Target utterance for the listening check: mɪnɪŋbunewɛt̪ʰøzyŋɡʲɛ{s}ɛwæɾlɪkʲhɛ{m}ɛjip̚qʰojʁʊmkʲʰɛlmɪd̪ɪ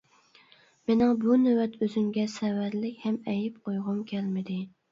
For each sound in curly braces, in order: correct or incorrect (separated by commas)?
correct, correct